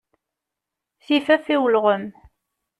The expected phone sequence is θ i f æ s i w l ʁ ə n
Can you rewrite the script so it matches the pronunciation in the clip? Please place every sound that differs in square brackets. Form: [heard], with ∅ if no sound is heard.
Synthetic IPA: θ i f æ [f] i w l ʁ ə [m]